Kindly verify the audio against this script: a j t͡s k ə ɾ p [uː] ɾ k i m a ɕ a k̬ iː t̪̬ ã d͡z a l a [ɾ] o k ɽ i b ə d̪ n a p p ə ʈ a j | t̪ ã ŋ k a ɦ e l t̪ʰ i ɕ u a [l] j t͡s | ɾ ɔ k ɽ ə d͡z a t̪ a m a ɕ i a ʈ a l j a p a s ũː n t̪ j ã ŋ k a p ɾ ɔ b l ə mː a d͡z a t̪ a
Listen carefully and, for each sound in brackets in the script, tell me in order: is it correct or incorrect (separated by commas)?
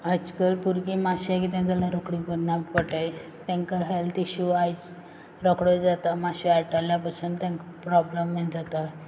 incorrect, correct, incorrect